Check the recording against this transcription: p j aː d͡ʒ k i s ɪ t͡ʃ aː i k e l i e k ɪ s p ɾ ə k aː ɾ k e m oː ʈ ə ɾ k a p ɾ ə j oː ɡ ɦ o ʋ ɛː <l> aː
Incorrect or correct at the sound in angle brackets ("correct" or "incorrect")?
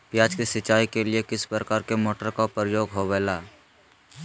correct